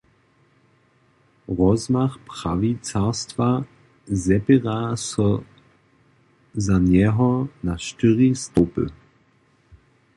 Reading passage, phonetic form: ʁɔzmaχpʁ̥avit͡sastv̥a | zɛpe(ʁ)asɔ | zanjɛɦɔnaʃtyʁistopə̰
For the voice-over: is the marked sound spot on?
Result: yes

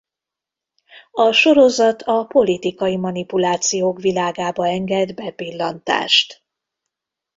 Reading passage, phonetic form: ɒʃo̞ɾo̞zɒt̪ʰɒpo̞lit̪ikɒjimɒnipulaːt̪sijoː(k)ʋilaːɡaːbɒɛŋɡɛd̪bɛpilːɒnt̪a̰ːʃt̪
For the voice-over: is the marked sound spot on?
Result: yes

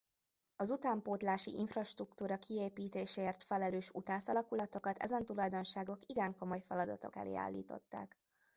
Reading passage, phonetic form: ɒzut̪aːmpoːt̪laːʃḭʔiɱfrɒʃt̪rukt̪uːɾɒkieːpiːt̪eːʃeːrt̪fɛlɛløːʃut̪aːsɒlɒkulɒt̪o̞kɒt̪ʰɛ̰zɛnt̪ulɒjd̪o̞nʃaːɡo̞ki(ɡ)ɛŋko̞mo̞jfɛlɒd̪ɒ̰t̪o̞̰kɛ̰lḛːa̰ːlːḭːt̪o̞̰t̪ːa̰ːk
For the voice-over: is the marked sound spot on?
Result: yes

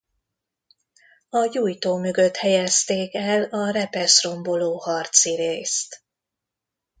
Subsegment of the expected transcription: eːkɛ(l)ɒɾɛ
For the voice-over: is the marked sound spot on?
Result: yes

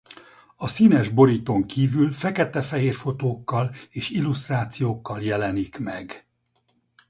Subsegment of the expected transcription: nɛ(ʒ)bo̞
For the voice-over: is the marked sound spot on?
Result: yes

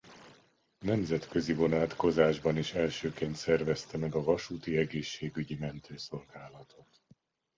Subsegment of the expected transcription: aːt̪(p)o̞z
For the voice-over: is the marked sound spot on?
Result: no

